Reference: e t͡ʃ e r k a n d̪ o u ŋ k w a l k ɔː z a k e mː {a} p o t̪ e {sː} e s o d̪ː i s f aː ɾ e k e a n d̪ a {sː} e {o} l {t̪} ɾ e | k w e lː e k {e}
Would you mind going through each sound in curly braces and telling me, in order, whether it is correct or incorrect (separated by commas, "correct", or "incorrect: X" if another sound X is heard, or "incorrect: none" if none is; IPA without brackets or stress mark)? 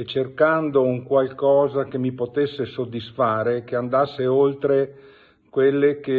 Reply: incorrect: i, correct, correct, correct, correct, correct